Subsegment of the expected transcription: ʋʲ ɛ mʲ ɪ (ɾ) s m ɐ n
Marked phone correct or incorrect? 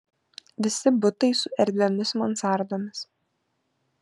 incorrect